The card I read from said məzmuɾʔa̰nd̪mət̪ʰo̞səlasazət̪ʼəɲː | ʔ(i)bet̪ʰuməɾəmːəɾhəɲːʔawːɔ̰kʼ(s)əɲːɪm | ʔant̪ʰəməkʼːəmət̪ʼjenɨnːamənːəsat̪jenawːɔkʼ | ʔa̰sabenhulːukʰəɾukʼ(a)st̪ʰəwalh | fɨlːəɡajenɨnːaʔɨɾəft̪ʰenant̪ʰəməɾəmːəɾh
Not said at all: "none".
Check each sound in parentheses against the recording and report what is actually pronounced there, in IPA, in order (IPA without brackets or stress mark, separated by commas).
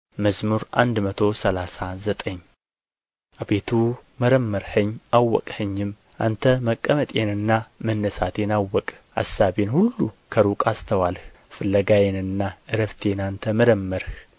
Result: a, h, a